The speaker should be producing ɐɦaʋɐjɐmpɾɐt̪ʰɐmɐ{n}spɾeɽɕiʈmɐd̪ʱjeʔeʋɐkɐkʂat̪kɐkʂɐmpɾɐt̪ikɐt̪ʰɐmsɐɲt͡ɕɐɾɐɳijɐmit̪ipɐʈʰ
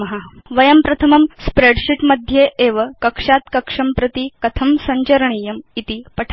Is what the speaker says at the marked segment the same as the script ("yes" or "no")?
no